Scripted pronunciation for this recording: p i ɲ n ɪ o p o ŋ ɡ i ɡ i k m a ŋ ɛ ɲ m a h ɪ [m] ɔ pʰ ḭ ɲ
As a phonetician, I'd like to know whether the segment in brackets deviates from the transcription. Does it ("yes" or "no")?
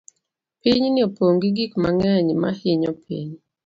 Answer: yes